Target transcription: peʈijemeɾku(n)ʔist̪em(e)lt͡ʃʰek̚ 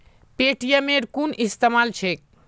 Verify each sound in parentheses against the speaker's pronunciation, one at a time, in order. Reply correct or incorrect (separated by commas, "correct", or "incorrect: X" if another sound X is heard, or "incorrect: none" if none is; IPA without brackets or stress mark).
correct, incorrect: a